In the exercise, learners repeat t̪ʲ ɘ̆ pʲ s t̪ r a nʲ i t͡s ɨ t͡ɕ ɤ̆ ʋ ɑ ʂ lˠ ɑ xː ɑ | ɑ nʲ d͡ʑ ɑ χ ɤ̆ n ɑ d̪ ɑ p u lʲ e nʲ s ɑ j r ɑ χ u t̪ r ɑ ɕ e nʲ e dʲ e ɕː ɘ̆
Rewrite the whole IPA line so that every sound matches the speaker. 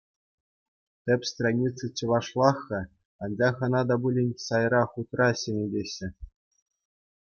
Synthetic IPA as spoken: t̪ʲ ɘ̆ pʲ s t̪ r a nʲ i t͡s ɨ t͡ɕ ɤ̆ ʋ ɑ ʂ lˠ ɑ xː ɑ | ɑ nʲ d͡ʑ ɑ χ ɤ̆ n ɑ d̪ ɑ b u lʲ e nʲ s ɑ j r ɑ χ u t̪ r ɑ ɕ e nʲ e dʲ e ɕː ɘ̆